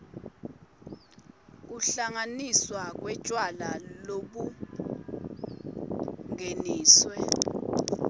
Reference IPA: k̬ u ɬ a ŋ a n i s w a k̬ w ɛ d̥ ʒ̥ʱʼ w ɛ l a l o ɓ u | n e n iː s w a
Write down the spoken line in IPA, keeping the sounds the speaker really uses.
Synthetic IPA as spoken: k̬ u ɬ a ŋ a n i s w a k̬ w ɛ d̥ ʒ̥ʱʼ w a l a l o ɓ u | ŋ e n iː s w ɛ